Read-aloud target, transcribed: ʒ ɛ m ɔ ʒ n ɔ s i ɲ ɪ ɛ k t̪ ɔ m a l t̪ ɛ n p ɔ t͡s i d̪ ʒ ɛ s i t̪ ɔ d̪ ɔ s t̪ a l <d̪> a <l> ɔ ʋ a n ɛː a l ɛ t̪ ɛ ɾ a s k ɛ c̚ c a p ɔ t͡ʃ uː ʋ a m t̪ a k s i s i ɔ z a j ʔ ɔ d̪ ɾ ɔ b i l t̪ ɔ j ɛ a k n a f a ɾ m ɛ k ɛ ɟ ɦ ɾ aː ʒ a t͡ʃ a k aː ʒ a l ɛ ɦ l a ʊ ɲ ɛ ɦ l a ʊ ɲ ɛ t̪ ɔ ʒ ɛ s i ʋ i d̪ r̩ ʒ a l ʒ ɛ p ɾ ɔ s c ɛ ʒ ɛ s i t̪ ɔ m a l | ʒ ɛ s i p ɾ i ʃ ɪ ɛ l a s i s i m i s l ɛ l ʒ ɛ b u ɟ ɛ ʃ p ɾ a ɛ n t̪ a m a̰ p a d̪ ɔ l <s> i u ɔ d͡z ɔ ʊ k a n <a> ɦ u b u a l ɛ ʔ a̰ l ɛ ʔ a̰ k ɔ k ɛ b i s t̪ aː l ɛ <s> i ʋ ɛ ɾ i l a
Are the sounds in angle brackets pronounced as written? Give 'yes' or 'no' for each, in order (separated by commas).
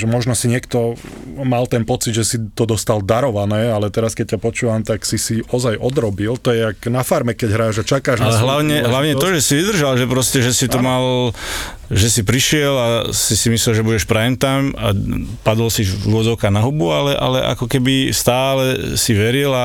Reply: yes, no, yes, yes, yes